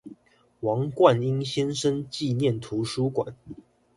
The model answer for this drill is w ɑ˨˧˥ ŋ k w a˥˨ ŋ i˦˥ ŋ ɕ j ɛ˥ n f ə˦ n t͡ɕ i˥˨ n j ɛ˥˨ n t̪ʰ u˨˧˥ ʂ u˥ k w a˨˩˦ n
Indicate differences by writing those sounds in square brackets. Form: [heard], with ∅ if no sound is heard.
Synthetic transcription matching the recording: w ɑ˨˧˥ ŋ k w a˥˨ [n] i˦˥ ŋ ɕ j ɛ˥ n [ʂ] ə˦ n t͡ɕ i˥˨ n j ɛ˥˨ n t̪ʰ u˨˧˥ ʂ u˥ k w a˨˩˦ n